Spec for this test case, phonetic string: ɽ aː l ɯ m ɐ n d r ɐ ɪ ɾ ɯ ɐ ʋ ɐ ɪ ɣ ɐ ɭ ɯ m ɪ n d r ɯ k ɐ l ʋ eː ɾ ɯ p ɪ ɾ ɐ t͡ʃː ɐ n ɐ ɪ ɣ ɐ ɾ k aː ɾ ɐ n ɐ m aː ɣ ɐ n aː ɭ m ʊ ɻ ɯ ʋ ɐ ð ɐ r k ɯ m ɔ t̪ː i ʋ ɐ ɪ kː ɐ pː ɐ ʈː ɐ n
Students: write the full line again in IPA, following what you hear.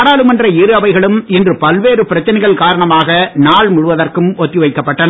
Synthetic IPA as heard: ɽ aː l ɯ m ɐ n d r ɐ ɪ ɾ ɯ ɐ ʋ ɐ ɪ ɣ ɐ ɭ ɯ m ɪ n d r ɯ p ɐ l ʋ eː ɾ ɯ p ɪ ɾ ɐ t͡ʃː ɐ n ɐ ɪ ɣ ɐ ɭ k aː ɾ ɐ ɳ ɐ m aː ɣ ɐ n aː ɭ m ʊ ɻ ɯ ʋ ɐ ð ɐ r k ɯ m ɔ t̪ː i ʋ ɐ ɪ kː ɐ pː ɐ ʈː ɐ n